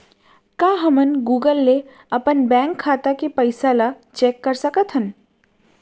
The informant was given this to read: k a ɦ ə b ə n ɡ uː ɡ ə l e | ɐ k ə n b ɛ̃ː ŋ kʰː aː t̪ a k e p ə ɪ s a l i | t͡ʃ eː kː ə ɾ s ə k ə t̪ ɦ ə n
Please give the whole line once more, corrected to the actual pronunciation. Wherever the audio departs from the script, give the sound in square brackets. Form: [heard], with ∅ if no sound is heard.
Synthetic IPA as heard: k a ɦ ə [m] ə n ɡ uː ɡ ə [lː] e | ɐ [p] ə n b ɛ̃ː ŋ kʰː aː t̪ a k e p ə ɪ s a l [a] | t͡ʃ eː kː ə ɾ s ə k ə t̪ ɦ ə n